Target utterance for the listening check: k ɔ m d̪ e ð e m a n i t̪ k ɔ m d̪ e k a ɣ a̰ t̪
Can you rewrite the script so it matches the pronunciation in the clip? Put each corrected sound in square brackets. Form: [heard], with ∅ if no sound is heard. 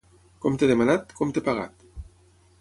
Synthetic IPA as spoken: k ɔ m [t̪] e ð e m a n [a] t̪ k ɔ m [t̪] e [p] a ɣ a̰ t̪